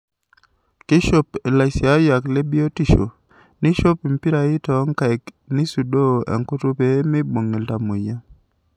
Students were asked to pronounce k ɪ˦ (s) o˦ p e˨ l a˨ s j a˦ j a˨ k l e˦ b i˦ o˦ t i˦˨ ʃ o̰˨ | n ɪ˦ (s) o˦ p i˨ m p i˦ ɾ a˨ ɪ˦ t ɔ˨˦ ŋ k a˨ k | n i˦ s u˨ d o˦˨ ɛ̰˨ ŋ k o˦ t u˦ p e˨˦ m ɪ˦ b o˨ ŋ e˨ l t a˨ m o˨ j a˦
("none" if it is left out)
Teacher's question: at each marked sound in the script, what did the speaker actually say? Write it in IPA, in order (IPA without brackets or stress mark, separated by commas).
ʃ, ʃ